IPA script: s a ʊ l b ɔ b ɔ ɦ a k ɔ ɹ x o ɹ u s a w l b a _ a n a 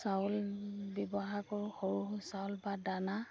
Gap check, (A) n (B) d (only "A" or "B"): B